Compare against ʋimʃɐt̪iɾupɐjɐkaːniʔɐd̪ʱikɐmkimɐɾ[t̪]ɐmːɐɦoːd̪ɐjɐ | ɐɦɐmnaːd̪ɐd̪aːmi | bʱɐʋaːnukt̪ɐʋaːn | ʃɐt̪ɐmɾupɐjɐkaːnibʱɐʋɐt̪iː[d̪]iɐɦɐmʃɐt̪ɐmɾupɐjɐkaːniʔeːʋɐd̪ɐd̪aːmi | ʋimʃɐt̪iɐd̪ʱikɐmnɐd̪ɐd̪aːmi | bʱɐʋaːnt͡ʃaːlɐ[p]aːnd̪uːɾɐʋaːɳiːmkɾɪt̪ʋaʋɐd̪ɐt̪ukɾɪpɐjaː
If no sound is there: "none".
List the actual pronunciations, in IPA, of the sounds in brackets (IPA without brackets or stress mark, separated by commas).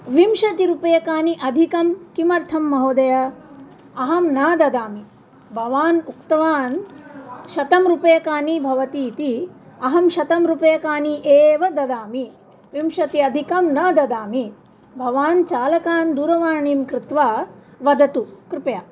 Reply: t̪ʰ, t̪, k